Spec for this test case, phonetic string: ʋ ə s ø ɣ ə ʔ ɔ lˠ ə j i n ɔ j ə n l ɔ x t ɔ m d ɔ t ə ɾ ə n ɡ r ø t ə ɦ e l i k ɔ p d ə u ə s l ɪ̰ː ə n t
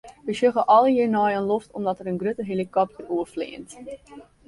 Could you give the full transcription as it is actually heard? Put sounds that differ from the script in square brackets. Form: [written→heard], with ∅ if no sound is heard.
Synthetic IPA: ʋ ə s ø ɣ ə ʔ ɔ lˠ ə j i n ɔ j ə n l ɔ [x→f] t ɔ m d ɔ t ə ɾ ə n ɡ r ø t ə ɦ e l i k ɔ p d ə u ə [s→f] l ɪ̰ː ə n t